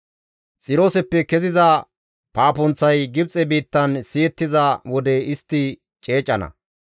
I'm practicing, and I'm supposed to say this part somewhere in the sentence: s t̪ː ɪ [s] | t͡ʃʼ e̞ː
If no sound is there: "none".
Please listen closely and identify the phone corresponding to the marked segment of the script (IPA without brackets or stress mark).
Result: none